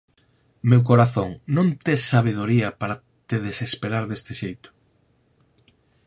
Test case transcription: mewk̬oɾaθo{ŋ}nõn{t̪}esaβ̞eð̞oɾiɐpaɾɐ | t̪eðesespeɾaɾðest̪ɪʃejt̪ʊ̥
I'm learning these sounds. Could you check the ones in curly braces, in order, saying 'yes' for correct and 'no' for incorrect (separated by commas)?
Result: yes, yes